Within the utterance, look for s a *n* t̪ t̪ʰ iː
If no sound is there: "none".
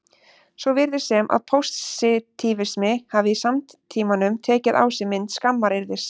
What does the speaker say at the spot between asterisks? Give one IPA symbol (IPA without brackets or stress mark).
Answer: m